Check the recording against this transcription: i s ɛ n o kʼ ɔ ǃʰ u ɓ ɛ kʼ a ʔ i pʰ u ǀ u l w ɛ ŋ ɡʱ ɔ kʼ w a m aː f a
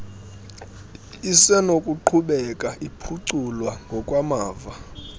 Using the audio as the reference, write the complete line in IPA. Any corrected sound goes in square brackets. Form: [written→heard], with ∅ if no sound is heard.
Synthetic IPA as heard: i s ɛ n o kʼ [ɔ→u] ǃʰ u ɓ ɛ kʼ a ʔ i pʰ u ǀ u l w [ɛ→a] ŋ ɡʱ ɔ kʼ w a m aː [f→v] a